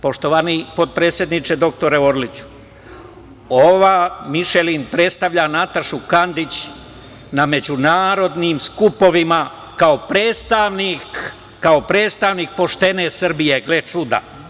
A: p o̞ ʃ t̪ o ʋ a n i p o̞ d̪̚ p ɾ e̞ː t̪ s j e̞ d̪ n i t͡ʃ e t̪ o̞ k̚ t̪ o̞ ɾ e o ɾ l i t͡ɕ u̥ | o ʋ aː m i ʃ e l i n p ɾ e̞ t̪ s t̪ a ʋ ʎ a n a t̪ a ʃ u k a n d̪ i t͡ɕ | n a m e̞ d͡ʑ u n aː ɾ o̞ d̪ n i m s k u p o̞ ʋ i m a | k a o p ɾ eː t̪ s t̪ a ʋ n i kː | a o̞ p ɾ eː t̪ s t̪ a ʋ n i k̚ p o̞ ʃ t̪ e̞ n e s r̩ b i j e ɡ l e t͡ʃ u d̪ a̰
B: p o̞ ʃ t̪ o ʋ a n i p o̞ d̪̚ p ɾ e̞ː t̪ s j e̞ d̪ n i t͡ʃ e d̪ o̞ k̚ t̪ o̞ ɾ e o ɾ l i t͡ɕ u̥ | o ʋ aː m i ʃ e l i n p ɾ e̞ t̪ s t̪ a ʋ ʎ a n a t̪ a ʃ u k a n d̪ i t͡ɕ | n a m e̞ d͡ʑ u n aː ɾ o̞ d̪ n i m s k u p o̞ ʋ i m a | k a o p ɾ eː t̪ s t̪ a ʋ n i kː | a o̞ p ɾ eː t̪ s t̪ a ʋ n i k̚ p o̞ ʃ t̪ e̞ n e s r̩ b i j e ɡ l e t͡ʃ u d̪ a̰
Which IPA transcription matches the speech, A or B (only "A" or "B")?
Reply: B